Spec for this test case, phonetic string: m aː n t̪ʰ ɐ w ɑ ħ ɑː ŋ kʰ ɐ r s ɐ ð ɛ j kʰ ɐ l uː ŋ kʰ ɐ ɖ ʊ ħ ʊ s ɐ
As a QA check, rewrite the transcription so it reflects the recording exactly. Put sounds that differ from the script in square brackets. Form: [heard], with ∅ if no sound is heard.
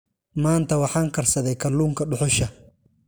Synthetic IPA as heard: m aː n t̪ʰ ɐ w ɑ ħ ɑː ŋ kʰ ɐ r s ɐ ð ɛ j kʰ ɐ l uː ŋ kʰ ɐ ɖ ʊ ħ ʊ [ʃ] ɐ